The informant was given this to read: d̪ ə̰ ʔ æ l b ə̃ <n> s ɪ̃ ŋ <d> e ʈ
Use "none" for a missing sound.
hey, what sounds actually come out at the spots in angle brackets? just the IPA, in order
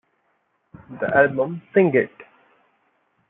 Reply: m, ɡ

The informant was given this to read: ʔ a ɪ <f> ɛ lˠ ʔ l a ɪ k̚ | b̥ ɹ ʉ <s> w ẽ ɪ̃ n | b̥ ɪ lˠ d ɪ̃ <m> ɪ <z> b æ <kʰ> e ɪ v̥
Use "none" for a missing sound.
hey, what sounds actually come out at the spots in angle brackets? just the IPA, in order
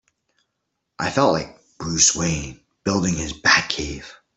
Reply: f, s, ŋ, z, kʰ

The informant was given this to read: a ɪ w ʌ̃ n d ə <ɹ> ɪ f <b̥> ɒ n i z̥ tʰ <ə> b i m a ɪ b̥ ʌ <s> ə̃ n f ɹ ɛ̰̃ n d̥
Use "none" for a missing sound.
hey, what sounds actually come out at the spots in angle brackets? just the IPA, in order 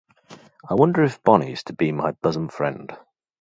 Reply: ɹ, b̥, ə, z

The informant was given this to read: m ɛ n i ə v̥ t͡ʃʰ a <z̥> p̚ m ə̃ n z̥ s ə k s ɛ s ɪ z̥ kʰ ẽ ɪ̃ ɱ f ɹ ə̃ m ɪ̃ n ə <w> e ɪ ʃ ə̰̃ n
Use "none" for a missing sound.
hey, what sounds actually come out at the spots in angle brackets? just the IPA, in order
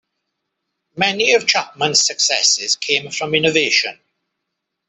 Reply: none, v

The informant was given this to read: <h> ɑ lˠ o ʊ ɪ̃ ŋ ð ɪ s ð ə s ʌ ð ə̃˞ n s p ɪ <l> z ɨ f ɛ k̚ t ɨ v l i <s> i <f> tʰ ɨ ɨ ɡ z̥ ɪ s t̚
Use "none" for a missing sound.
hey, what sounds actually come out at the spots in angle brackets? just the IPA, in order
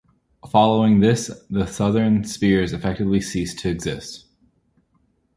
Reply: f, ɹ, s, s

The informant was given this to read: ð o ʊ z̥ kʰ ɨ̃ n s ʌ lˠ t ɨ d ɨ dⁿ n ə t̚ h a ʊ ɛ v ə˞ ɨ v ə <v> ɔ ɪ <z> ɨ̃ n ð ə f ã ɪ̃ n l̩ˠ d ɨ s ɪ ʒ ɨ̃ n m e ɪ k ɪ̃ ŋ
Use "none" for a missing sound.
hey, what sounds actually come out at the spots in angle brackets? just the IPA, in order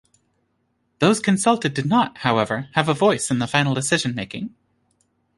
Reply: v, s

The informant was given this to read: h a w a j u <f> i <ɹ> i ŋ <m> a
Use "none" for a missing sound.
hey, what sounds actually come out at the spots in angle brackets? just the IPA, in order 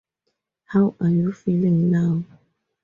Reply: f, l, n

